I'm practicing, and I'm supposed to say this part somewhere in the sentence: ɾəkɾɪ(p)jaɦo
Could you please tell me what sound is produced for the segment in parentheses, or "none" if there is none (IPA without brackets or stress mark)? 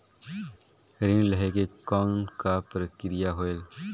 none